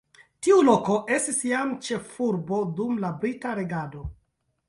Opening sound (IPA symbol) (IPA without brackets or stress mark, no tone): t